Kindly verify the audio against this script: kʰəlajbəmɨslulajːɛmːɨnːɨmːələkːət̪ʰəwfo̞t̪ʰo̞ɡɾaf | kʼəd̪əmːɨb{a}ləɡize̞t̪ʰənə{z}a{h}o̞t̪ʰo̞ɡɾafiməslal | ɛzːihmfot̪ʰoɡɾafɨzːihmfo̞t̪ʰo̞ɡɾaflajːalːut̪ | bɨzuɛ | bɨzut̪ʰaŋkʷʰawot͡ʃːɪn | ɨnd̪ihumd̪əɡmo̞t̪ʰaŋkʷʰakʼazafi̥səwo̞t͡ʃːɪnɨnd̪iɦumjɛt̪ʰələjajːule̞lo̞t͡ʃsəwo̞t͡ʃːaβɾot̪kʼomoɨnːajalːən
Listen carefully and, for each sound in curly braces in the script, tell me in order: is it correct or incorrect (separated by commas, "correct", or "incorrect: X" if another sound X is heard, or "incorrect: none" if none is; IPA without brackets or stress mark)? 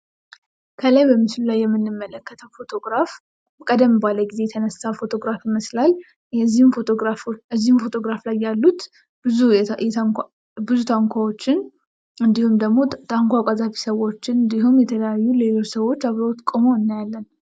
correct, incorrect: s, incorrect: f